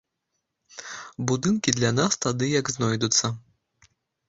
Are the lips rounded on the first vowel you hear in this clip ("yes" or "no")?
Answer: yes